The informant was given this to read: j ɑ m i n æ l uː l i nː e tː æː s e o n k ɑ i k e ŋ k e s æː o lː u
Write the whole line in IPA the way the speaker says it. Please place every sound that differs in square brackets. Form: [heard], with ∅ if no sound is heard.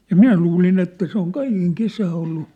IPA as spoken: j ɑ m i n æ l uː l i [n] e tː [æ] s e o [ŋ] k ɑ i k e ŋ k e s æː o lː u